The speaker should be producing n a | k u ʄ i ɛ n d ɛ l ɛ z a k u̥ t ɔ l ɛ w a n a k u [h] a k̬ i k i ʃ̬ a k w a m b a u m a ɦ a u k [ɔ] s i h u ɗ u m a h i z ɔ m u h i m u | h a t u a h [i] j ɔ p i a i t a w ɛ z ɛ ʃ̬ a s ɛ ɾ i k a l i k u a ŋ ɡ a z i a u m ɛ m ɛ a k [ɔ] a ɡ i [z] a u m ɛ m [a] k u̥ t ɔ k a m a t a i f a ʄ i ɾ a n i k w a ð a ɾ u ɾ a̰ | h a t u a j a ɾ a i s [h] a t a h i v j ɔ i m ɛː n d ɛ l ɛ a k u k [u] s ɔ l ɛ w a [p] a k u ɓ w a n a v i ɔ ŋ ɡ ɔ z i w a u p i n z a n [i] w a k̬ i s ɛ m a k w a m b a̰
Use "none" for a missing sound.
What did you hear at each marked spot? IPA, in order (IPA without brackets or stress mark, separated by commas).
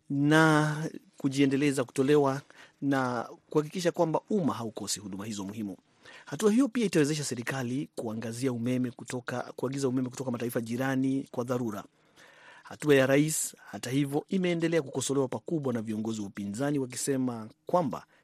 h, ɔ, i, u, z, ɛ, h, ɔ, p, i